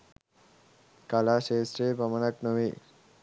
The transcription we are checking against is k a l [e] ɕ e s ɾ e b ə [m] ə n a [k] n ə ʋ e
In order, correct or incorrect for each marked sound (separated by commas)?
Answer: incorrect, correct, correct